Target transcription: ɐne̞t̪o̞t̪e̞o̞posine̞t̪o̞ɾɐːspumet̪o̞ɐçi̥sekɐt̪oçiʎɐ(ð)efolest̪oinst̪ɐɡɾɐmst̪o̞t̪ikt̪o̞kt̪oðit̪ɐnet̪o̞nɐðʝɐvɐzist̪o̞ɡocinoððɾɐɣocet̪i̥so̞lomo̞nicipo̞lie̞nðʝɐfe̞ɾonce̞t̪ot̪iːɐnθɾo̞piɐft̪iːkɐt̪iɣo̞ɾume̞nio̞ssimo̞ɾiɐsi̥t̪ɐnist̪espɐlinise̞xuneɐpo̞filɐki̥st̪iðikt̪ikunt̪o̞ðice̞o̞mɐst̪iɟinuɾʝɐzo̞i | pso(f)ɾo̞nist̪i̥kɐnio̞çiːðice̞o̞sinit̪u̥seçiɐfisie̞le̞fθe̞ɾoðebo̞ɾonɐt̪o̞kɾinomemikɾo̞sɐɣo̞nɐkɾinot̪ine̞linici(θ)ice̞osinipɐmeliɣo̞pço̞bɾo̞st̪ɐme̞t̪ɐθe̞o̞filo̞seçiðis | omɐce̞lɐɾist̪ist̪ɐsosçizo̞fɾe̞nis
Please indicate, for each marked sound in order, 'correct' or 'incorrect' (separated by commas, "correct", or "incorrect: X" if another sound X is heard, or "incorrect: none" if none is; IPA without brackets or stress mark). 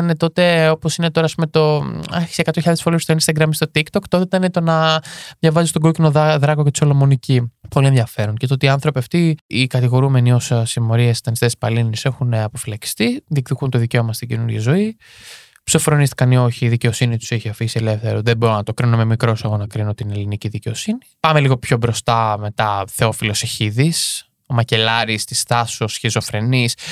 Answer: correct, correct, incorrect: ð